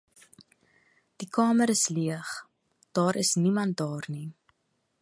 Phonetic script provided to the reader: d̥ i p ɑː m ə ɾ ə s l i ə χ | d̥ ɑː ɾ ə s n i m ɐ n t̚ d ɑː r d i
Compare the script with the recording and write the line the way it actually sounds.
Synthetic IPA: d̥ i k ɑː m ə ɾ ə s l i ə χ | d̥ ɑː ɾ ə s n i m ɐ n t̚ d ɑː r n i